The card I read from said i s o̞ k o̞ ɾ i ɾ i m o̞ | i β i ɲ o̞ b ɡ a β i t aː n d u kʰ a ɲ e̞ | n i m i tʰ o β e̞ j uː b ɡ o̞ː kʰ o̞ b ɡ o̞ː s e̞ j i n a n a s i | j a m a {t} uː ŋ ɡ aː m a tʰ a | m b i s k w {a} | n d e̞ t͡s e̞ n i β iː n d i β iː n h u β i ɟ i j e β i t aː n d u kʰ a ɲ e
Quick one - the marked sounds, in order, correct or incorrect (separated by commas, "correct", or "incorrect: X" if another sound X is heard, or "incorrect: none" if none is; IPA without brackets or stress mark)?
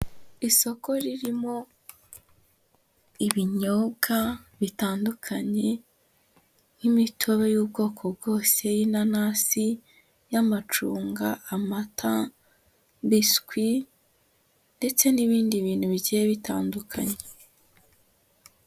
incorrect: t͡ʃ, incorrect: i